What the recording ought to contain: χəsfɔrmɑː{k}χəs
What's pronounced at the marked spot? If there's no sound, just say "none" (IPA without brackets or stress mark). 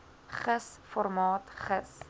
t